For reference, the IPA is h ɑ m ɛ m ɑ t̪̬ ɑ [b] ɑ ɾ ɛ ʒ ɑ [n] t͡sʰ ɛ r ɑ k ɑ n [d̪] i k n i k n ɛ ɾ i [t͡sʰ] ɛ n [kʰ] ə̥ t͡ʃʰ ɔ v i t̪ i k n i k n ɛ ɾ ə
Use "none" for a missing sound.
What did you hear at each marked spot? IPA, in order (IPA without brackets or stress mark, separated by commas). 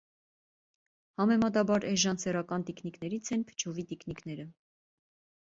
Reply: b, n, t̪, t͡sʰ, pʰ